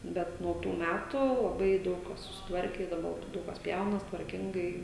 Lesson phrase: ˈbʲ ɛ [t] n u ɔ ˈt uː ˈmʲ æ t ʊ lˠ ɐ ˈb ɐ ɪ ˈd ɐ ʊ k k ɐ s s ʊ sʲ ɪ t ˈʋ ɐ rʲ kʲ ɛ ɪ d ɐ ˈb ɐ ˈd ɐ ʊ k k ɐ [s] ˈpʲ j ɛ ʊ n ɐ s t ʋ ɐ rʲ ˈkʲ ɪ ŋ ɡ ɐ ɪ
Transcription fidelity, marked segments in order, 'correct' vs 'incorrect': correct, correct

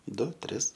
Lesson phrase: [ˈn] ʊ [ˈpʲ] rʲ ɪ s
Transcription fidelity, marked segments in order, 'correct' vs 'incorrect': incorrect, incorrect

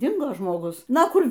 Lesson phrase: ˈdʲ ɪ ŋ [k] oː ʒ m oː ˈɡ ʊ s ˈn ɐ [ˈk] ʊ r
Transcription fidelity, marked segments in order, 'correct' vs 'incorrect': incorrect, correct

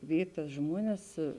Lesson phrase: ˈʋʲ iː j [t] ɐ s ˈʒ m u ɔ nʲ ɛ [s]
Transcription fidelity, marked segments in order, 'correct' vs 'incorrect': correct, correct

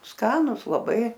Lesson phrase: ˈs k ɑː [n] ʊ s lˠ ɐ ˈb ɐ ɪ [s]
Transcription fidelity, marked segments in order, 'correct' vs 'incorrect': correct, incorrect

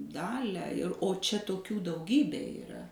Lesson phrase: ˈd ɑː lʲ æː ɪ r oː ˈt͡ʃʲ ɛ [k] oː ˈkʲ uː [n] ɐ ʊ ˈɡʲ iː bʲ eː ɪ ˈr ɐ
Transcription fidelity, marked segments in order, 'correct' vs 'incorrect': incorrect, incorrect

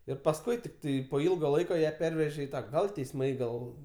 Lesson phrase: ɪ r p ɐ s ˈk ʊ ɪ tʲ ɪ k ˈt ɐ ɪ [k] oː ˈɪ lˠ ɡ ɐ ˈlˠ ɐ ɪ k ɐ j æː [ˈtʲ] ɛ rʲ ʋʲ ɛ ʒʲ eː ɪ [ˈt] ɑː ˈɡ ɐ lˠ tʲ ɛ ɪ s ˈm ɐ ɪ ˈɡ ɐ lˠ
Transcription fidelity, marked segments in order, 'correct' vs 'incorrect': incorrect, incorrect, correct

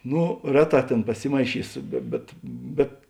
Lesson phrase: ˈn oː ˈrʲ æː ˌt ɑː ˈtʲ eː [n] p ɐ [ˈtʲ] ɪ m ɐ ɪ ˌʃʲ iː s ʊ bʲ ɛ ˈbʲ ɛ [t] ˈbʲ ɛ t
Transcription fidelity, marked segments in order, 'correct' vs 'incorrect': correct, incorrect, correct

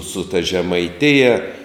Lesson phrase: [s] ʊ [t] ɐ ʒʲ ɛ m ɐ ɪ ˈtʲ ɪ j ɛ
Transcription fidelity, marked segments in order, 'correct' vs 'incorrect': correct, correct

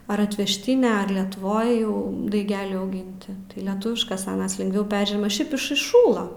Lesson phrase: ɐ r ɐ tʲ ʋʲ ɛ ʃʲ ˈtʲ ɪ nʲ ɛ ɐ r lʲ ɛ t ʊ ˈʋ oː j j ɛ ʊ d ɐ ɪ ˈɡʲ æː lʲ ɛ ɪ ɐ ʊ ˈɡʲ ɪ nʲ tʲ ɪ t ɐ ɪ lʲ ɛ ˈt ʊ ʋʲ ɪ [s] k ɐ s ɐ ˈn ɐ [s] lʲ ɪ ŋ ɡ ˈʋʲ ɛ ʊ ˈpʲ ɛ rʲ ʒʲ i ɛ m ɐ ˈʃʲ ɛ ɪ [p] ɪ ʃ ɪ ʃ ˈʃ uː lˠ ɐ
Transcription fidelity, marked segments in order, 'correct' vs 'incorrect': incorrect, correct, correct

